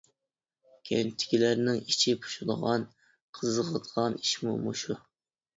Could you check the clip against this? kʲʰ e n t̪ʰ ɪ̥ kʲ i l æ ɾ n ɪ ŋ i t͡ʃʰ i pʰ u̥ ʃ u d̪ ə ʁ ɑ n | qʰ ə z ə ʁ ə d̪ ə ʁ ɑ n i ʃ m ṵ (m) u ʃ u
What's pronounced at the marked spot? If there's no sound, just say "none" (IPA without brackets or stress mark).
m